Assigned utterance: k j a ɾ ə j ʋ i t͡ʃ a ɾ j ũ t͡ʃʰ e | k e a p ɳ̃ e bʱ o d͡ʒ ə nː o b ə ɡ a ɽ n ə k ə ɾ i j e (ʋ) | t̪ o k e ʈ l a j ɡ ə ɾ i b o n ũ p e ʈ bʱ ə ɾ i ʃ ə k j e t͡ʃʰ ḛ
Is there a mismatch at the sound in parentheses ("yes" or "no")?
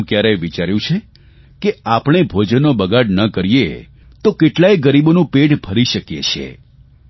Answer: yes